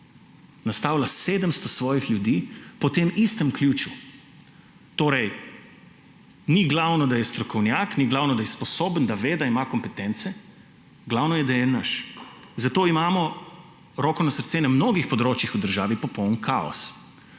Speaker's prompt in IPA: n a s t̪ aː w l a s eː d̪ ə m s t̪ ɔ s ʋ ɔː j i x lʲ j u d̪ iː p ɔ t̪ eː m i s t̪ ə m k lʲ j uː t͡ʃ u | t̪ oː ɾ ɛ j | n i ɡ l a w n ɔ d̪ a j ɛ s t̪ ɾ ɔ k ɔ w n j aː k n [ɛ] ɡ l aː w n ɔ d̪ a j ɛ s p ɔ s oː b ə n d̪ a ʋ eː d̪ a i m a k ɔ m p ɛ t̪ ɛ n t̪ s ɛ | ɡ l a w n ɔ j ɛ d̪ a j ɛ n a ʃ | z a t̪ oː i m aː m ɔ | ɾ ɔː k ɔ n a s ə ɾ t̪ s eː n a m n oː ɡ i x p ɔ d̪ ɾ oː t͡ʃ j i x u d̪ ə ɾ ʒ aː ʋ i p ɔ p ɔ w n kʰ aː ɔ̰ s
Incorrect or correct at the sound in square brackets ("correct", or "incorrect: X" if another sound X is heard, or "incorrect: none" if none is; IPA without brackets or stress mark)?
incorrect: i